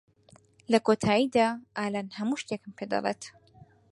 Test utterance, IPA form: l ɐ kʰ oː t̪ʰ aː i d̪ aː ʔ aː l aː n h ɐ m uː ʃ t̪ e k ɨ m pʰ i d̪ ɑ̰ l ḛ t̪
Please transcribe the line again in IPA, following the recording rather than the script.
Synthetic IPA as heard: l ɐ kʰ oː t̪ʰ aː i d̪ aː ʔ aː l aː n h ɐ m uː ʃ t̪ e k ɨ m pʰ e d̪ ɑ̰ l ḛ t̪